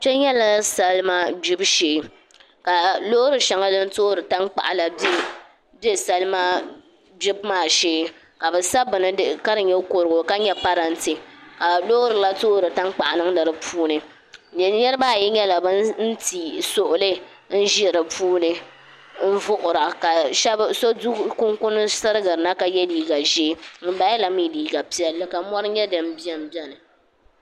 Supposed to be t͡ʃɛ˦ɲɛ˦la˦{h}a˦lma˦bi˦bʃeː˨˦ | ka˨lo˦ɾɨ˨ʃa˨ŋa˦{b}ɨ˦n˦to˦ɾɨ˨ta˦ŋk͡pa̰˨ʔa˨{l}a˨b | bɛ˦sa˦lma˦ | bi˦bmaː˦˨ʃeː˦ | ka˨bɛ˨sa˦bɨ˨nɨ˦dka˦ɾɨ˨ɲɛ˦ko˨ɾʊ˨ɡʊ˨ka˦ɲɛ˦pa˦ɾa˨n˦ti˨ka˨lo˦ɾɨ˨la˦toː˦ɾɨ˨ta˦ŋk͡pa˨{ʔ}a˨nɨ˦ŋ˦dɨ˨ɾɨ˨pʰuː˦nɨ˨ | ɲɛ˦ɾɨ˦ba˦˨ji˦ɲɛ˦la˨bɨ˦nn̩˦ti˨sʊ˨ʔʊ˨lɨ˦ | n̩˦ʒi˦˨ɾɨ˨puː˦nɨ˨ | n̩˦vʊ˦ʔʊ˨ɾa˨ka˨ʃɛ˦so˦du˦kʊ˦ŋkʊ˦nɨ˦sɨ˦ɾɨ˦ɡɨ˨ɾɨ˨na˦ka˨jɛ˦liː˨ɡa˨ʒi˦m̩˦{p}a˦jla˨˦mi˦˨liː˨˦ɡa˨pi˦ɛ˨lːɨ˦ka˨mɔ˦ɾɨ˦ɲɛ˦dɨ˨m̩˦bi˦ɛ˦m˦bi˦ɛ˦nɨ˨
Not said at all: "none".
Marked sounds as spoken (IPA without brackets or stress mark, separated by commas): s, d, l, ʔ, b